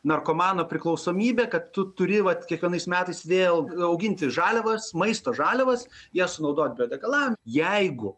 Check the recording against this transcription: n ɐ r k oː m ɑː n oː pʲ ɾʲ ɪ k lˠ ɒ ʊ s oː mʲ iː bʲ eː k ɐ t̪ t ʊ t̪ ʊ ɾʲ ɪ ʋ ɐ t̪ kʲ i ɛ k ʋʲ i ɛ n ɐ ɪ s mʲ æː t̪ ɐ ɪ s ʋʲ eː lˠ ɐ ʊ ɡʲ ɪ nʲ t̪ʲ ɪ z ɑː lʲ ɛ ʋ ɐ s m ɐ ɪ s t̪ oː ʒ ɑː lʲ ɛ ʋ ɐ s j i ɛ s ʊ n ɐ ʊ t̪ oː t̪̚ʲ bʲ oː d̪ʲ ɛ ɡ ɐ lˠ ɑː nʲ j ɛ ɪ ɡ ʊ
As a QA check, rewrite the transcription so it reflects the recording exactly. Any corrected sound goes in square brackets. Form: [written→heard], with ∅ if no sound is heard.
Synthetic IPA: n ɐ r k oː m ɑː n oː pʲ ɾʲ ɪ k lˠ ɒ ʊ s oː mʲ iː bʲ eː k ɐ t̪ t ʊ t̪ ʊ ɾʲ ɪ ʋ ɐ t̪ kʲ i ɛ k ʋʲ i ɛ n ɐ ɪ s mʲ æː t̪ ɐ ɪ s ʋʲ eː lˠ ɐ ʊ ɡʲ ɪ nʲ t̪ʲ ɪ [z→ʒ] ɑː lʲ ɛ ʋ ɐ s m ɐ ɪ s t̪ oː ʒ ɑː lʲ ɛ ʋ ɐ s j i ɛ s ʊ n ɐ ʊ [t̪→d̪] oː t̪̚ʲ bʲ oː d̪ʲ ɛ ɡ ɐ lˠ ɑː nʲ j ɛ ɪ ɡ ʊ

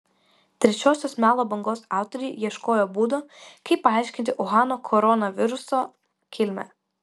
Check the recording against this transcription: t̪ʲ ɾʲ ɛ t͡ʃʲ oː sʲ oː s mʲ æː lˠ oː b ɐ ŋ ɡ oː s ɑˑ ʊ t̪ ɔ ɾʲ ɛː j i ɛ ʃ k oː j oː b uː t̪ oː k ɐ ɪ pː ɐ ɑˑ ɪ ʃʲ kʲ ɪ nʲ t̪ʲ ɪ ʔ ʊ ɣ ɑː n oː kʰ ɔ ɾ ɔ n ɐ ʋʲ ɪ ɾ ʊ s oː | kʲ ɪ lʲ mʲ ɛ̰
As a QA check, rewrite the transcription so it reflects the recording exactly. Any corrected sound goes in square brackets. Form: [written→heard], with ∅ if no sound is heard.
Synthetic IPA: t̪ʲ ɾʲ ɛ t͡ʃʲ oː sʲ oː s mʲ æː lˠ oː b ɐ ŋ ɡ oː s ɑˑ ʊ t̪ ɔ ɾʲ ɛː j i ɛ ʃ k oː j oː b uː [t̪→d̪] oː k ɐ ɪ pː ɐ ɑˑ ɪ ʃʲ kʲ ɪ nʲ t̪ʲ ɪ ʔ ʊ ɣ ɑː n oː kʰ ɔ ɾ ɔ n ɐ ʋʲ ɪ ɾ ʊ s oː | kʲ ɪ lʲ mʲ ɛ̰

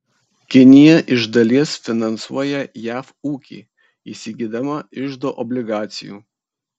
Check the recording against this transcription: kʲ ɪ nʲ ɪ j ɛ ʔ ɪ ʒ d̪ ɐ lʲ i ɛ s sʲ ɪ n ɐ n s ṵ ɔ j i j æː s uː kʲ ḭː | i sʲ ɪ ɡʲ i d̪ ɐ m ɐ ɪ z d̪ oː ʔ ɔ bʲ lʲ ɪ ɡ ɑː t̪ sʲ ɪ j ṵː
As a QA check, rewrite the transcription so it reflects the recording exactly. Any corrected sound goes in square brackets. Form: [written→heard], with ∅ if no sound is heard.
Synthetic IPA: kʲ ɪ nʲ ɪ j ɛ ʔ ɪ ʒ d̪ ɐ lʲ i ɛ s [sʲ→fʲ] ɪ n ɐ n s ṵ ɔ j [i→ɛ] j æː [s→f] uː kʲ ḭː | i sʲ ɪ ɡʲ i d̪ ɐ m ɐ ɪ [z→ʒ] d̪ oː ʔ ɔ bʲ lʲ ɪ ɡ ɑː t̪ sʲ ɪ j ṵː

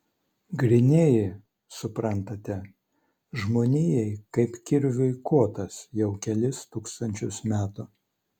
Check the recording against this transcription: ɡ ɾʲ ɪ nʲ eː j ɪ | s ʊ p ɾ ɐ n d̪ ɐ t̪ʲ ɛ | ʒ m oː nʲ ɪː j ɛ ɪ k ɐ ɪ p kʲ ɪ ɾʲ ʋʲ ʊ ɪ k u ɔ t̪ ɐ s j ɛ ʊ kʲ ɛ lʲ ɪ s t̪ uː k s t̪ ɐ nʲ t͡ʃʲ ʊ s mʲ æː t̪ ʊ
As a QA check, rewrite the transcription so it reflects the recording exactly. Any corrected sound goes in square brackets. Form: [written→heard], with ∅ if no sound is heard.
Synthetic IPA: ɡ ɾʲ ɪ nʲ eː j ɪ | s ʊ p ɾ ɐ n [d̪→t̪] ɐ t̪ʲ ɛ | ʒ m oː nʲ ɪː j ɛ ɪ k ɐ ɪ p kʲ ɪ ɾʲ ʋʲ ʊ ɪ k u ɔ t̪ ɐ s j ɛ ʊ kʲ ɛ lʲ ɪ s t̪ uː k s t̪ ɐ nʲ t͡ʃʲ ʊ s mʲ æː t̪ ʊ

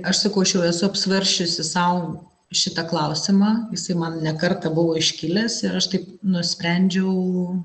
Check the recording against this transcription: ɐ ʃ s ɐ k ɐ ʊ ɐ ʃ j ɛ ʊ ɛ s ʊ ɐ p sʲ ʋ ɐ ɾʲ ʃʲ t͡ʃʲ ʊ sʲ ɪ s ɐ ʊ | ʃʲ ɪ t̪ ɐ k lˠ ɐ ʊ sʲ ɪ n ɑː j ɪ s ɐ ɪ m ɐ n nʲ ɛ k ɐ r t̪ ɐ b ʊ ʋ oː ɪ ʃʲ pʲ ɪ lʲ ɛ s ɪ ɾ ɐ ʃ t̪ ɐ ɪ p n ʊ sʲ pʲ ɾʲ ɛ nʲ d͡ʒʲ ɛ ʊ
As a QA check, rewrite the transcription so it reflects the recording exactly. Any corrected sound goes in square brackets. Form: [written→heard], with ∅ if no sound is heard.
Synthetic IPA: ɐ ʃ s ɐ k ɐ ʊ ɐ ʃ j ɛ ʊ ɛ s ʊ ɐ p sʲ ʋ ɐ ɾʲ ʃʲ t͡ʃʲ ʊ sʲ ɪ s ɐ ʊ | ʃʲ ɪ t̪ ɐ k lˠ ɐ ʊ sʲ ɪ [n→m] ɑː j ɪ s ɐ ɪ m ɐ n nʲ ɛ k ɐ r t̪ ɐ b ʊ ʋ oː ɪ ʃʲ [pʲ→kʲ] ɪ lʲ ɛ s ɪ ɾ ɐ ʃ t̪ ɐ ɪ p n ʊ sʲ pʲ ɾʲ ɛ nʲ d͡ʒʲ ɛ ʊ

